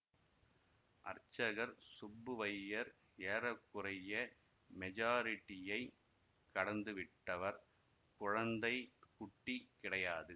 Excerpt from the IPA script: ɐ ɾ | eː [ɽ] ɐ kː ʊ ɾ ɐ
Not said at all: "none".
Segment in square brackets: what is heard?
ɾ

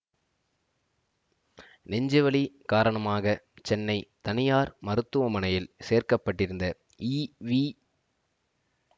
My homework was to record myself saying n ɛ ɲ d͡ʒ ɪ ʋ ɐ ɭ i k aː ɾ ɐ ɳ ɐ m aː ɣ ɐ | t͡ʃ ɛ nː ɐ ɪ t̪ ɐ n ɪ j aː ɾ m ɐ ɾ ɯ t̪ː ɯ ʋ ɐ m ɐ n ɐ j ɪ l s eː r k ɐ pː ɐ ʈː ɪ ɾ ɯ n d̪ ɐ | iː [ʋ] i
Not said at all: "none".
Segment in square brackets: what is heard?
ʋ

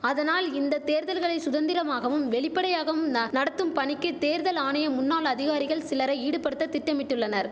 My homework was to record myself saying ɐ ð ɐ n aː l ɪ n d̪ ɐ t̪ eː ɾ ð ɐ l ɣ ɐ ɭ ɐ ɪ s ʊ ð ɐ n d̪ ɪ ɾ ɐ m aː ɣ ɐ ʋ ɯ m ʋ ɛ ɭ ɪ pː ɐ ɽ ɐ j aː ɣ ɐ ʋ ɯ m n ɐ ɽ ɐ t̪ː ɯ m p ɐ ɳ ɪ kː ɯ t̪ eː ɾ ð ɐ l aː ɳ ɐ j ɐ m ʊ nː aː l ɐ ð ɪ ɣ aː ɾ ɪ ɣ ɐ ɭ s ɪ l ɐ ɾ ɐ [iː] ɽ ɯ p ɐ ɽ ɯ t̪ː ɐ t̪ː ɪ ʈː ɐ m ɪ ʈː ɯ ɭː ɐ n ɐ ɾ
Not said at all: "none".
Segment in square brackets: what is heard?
iː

